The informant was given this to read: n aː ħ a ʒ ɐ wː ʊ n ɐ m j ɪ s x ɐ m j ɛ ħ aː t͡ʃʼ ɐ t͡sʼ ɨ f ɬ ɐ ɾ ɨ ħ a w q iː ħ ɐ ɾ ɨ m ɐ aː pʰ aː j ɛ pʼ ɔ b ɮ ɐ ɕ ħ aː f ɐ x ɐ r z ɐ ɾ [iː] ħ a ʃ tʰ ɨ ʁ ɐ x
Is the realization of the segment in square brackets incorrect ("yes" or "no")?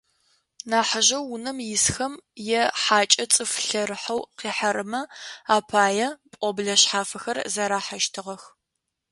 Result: yes